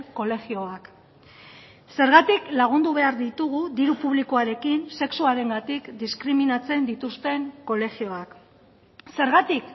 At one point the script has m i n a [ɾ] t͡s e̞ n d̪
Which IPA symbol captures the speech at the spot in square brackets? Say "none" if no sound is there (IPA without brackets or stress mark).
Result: none